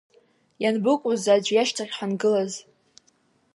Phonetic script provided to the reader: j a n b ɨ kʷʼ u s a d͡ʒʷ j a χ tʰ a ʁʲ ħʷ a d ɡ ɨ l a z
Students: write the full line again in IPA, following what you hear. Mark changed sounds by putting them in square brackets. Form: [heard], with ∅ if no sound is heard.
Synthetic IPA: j a n b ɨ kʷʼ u [z] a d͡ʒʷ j a [ʃ] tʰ a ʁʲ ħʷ a [n] ɡ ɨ l a z